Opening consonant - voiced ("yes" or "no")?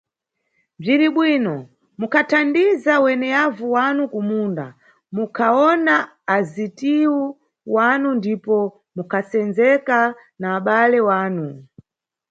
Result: yes